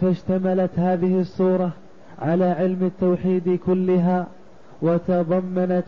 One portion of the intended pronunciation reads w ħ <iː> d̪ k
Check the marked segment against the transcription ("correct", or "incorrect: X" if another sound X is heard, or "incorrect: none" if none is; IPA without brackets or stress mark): correct